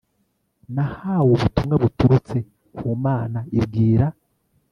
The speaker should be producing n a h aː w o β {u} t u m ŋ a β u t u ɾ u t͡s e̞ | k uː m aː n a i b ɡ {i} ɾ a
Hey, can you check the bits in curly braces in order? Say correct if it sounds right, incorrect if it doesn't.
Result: correct, incorrect: iː

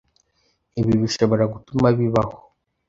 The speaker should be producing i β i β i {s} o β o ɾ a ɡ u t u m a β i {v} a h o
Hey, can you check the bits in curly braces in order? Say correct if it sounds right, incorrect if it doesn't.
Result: incorrect: ʃ, incorrect: β

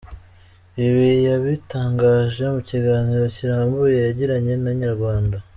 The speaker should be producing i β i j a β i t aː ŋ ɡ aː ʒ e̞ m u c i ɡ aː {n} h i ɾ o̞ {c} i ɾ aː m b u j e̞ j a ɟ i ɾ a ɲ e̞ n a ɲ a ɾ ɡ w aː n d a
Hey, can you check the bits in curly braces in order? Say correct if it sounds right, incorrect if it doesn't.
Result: correct, correct

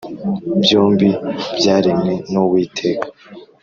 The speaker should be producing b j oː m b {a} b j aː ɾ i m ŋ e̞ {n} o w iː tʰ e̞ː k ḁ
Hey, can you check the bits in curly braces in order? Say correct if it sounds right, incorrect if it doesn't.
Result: incorrect: i, correct

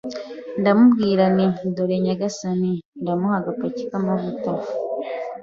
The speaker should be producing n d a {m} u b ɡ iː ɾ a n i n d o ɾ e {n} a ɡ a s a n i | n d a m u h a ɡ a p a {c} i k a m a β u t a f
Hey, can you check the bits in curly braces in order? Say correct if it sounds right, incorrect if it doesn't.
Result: correct, incorrect: ɲ, correct

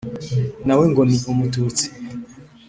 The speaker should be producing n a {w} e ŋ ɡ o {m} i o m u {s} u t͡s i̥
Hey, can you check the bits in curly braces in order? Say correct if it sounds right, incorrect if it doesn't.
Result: correct, correct, incorrect: t

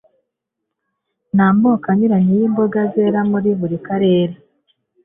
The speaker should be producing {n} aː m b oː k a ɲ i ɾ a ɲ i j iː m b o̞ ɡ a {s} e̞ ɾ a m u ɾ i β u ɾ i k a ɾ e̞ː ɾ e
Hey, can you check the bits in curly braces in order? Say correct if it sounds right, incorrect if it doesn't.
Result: correct, incorrect: z

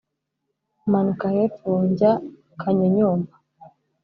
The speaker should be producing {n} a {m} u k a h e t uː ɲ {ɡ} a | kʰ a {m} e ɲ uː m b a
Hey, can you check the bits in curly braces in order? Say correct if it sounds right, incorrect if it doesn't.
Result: incorrect: m, incorrect: n, incorrect: ɟ, incorrect: ɲ

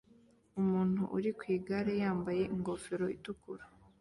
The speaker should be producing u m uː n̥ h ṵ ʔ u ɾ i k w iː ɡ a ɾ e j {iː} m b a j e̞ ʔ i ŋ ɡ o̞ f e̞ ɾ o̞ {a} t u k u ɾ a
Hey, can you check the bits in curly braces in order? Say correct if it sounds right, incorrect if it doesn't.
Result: incorrect: aː, incorrect: i

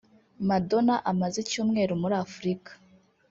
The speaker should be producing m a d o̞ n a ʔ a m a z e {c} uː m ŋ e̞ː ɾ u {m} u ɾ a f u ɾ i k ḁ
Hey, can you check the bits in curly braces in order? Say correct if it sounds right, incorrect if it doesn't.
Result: correct, correct

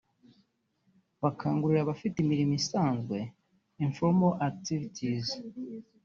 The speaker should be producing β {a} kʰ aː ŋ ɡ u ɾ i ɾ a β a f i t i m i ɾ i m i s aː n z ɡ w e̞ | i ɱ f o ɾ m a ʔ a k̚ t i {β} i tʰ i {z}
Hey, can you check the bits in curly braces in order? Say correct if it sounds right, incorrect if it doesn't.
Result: correct, incorrect: v, correct

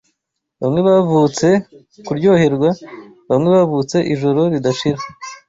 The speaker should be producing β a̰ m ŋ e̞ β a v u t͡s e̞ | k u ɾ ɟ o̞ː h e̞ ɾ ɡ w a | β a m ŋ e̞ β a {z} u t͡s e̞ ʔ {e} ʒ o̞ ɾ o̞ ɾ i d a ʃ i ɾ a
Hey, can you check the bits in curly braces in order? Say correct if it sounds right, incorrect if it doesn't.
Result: incorrect: v, incorrect: i

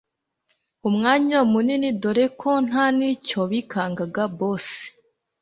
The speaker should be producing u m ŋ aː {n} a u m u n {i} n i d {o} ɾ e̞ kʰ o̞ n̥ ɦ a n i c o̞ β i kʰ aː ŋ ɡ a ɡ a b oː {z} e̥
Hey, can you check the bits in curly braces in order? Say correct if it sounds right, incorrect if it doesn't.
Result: incorrect: ɲ, correct, correct, incorrect: s

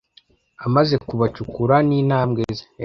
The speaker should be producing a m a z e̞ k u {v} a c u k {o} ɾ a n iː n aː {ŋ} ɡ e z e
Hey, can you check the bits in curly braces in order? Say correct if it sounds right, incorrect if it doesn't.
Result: incorrect: β, incorrect: u, incorrect: m

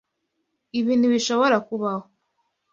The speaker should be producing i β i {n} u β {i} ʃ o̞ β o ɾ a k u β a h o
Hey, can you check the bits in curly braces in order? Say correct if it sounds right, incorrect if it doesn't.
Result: correct, correct

